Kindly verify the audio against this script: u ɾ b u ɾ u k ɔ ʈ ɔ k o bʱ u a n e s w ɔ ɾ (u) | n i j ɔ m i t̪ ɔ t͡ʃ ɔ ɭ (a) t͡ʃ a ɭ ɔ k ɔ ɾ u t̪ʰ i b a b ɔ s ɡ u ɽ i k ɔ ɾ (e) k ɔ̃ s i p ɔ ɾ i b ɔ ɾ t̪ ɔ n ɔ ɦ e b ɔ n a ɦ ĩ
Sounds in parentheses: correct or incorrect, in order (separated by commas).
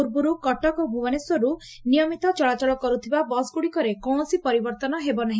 correct, correct, correct